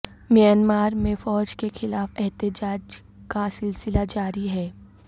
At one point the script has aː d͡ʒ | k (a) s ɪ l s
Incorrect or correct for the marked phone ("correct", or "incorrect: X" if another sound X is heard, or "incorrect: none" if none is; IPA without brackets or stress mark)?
correct